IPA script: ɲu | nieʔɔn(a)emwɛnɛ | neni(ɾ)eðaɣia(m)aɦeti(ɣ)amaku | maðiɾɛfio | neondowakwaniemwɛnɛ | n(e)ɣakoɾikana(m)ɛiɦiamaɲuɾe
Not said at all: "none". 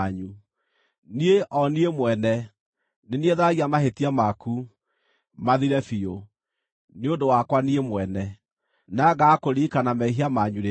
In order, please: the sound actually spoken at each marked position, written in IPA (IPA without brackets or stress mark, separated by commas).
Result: i, none, m, none, a, m